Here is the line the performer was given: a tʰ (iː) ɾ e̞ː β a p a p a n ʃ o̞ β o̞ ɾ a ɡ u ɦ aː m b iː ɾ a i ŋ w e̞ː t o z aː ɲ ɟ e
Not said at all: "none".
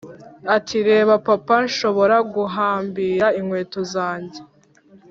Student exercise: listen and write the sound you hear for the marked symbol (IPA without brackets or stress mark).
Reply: i